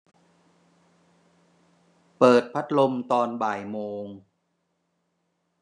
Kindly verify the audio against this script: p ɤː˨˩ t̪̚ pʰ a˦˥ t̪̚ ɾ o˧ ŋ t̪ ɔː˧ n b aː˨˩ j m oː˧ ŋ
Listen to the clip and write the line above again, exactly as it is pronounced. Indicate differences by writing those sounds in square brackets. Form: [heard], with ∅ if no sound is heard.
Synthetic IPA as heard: p ɤː˨˩ t̪̚ pʰ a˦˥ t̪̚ [l] o˧ [m] t̪ ɔː˧ n b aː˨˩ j m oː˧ ŋ